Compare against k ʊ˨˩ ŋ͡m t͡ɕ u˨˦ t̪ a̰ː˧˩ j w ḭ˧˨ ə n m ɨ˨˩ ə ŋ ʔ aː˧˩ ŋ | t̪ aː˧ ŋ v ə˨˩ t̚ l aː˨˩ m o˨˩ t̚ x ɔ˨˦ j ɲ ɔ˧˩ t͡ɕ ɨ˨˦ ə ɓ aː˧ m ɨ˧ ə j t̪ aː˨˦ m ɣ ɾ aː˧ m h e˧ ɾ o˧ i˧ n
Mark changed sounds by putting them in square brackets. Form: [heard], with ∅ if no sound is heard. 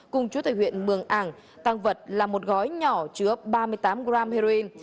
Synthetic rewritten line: k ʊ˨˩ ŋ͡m t͡ɕ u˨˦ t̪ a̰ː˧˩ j w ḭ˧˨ ə n m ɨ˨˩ ə ŋ ʔ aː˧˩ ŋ | t̪ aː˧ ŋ v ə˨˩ t̚ l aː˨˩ m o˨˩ t̚ [ɣ] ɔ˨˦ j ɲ ɔ˧˩ t͡ɕ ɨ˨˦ ə ɓ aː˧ m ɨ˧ ə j t̪ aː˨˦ m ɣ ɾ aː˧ m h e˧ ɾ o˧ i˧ n